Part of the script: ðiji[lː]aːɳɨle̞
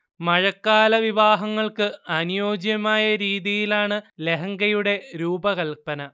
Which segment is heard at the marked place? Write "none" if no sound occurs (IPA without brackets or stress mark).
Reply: l